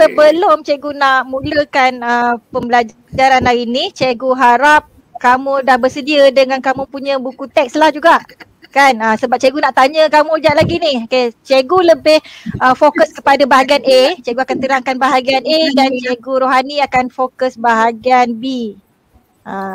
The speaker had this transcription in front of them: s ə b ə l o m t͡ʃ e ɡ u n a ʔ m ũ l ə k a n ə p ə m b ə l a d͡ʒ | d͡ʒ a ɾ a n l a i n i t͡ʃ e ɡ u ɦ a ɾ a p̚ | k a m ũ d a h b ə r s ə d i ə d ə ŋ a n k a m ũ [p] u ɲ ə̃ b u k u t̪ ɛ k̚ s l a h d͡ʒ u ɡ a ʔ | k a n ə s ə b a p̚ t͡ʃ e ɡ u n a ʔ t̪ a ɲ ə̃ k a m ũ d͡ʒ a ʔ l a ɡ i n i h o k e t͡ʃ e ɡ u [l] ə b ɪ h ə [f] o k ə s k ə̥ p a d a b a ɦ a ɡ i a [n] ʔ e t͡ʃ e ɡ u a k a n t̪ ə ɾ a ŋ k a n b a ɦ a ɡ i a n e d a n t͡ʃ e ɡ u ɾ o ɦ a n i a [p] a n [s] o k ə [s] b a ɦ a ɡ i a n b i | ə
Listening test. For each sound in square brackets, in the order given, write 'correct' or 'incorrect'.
correct, correct, correct, correct, incorrect, incorrect, correct

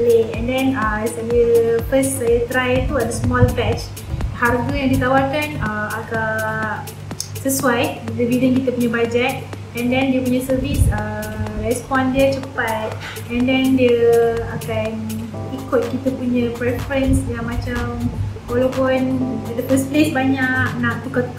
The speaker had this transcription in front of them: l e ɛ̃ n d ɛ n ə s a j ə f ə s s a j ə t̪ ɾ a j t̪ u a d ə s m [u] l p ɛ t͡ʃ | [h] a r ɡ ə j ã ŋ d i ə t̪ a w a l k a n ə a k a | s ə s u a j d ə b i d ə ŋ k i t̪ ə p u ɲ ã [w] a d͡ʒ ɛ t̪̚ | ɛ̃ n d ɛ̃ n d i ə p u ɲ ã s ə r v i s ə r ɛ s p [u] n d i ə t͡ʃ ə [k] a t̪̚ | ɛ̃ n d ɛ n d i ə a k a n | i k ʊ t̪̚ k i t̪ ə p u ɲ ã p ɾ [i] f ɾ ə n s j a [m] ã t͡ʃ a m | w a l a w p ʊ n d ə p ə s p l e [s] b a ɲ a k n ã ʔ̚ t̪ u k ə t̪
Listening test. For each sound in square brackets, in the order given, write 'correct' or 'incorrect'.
incorrect, correct, incorrect, incorrect, incorrect, incorrect, correct, correct

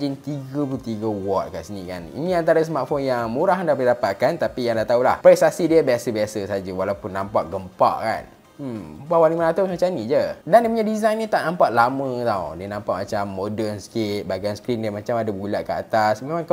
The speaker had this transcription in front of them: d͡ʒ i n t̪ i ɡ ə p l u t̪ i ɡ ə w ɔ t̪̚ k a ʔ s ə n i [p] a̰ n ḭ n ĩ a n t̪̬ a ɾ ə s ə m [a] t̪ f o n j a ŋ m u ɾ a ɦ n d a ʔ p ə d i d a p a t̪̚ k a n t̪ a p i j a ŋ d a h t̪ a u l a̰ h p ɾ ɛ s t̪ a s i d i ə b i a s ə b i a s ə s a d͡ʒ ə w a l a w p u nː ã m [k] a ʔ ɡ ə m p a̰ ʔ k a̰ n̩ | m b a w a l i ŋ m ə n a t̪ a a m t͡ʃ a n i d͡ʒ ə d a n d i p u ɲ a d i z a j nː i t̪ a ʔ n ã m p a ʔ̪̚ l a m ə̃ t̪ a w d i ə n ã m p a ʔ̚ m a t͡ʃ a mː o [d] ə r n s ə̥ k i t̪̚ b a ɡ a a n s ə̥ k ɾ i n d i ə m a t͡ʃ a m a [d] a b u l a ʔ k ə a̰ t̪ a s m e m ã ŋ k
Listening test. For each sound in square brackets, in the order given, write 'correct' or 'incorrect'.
incorrect, correct, incorrect, correct, correct

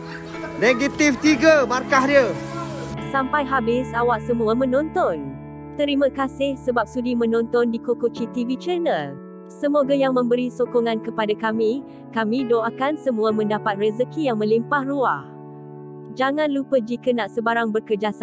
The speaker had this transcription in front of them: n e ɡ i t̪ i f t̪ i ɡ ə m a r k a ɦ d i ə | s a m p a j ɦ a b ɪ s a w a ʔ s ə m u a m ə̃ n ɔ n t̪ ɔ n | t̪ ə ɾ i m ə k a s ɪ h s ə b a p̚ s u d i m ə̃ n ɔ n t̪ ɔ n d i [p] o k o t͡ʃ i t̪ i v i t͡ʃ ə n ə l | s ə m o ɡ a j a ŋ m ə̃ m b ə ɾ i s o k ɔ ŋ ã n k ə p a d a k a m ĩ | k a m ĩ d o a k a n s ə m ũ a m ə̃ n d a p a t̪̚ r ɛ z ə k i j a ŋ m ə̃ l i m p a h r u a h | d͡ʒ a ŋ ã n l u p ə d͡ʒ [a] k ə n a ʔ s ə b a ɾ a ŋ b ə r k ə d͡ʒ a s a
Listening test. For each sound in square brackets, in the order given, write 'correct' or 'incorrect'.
incorrect, incorrect

